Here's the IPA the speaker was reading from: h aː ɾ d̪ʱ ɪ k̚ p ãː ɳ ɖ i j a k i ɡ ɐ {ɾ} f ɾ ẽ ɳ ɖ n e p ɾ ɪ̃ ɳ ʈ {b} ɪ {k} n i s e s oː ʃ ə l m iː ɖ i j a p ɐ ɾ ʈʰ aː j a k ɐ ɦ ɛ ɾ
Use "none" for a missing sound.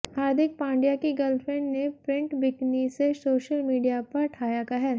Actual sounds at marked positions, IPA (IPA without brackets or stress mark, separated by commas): l, b, k